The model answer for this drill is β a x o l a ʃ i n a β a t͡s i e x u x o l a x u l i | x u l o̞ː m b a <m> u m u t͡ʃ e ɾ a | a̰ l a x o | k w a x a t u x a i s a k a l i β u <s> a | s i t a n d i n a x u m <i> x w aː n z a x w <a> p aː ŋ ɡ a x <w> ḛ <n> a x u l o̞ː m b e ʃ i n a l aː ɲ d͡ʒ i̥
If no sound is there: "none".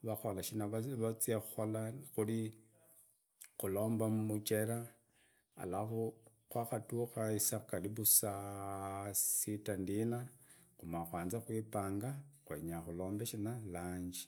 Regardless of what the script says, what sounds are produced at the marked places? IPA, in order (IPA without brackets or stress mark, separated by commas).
m, s, a, i, w, ɲ